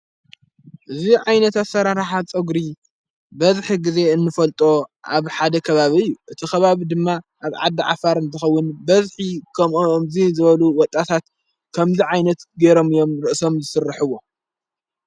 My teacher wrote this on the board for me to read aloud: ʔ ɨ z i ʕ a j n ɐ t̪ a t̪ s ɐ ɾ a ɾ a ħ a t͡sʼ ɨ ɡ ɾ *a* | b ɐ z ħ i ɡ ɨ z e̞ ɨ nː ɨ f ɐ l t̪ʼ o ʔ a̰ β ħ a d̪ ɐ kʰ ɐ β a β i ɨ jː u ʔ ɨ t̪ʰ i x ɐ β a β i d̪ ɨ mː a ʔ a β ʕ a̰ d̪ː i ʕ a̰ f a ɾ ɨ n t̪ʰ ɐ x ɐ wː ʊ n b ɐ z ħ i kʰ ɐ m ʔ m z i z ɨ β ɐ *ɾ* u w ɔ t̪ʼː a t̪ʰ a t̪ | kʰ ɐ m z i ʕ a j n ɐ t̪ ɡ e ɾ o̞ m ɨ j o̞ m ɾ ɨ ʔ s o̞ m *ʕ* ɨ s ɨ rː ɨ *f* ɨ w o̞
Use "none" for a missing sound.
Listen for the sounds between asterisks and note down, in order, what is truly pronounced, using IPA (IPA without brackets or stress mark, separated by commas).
i, l, z, ħ